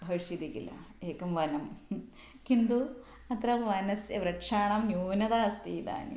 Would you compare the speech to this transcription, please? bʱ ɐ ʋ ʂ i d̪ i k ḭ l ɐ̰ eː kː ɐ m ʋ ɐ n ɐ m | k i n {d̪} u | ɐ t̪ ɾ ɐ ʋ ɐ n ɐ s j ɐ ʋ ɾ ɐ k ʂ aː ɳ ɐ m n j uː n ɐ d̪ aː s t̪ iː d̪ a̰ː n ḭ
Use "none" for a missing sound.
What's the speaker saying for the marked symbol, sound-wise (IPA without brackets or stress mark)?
d̪